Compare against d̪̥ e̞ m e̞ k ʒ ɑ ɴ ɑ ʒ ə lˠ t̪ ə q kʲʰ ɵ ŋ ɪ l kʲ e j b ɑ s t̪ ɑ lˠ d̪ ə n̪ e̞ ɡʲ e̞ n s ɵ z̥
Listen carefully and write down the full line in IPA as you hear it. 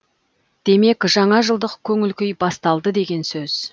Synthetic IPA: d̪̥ e̞ m e̞ k ʒ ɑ ɴ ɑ ʒ ə lˠ d̪ ə q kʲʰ ɵ ŋ ɪ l kʲ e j b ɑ s t̪ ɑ lˠ d̪ ə d̪ e̞ ɡʲ e̞ n s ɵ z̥